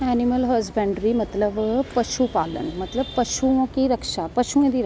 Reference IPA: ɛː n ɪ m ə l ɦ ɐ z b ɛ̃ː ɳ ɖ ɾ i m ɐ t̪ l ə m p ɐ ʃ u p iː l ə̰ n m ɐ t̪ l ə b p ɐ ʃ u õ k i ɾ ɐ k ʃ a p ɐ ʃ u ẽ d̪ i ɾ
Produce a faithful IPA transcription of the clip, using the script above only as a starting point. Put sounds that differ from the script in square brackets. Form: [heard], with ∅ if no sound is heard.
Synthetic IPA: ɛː n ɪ m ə l ɦ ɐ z b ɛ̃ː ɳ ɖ ɾ i m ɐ t̪ l ə [b] p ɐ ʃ u p [aː] l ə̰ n m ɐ t̪ l ə b p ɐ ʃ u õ k i ɾ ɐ k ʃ a p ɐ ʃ u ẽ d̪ i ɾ